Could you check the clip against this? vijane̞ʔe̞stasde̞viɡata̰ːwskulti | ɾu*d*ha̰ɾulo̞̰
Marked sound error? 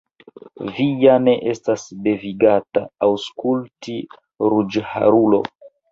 yes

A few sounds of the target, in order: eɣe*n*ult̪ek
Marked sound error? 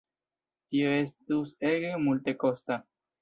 yes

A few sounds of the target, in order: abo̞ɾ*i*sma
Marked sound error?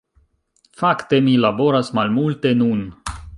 yes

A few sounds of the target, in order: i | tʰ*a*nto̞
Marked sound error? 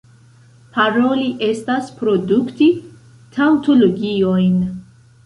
no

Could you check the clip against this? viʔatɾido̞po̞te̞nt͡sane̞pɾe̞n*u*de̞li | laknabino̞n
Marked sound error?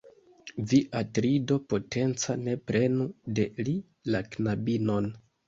no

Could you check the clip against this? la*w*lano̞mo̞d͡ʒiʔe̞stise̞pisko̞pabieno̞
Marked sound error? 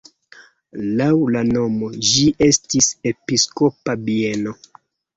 no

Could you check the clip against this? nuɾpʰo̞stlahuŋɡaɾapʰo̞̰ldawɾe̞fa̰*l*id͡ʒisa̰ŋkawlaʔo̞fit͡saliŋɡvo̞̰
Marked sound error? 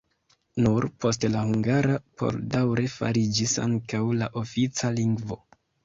yes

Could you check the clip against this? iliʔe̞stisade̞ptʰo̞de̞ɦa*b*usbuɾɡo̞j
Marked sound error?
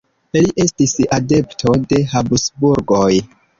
no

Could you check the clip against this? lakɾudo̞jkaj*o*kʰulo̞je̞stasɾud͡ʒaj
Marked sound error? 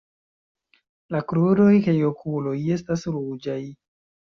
no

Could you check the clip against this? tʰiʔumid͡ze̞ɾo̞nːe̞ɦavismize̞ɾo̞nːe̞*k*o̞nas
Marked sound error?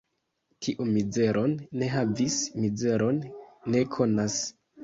yes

